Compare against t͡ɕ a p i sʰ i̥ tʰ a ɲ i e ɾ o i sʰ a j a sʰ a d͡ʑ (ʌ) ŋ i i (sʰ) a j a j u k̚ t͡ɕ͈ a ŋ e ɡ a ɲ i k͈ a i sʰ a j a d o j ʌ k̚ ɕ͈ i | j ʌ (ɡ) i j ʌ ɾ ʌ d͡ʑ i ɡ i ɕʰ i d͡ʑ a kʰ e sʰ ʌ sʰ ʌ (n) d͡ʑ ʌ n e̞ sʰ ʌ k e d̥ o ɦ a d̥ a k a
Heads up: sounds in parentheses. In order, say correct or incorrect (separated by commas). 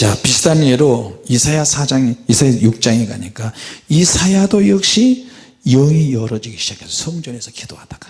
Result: incorrect, correct, incorrect, incorrect